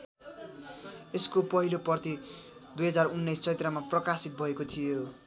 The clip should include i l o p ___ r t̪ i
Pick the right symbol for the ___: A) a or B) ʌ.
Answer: B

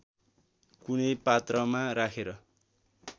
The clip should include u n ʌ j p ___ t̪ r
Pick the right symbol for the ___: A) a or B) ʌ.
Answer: A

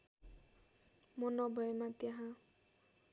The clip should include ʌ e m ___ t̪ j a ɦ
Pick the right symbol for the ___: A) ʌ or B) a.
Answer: B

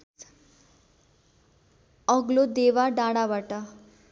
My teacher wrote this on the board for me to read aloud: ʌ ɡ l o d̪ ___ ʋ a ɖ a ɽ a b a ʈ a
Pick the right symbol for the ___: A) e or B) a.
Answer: A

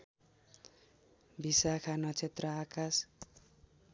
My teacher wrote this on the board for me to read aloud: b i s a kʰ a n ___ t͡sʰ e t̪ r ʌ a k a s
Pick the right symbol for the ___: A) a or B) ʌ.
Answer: B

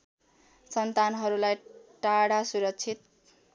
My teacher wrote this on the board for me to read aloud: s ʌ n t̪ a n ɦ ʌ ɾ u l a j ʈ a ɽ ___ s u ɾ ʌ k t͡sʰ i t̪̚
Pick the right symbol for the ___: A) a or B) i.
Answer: A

